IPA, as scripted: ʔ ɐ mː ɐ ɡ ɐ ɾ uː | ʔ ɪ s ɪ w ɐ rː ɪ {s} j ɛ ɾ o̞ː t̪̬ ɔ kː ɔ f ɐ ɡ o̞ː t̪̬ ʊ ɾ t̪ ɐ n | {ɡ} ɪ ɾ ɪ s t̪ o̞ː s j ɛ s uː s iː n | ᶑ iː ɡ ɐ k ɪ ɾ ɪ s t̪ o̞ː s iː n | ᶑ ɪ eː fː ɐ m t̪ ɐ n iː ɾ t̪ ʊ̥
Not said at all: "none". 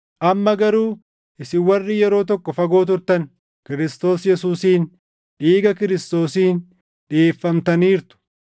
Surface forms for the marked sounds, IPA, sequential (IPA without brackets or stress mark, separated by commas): none, k